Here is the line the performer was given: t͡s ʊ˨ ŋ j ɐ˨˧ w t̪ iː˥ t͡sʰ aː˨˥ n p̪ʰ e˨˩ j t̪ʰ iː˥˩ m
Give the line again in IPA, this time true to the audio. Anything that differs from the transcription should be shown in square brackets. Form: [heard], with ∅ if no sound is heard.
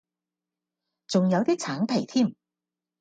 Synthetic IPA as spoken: t͡s ʊ˨ ŋ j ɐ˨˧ w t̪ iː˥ t͡sʰ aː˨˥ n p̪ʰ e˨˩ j t̪ʰ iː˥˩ m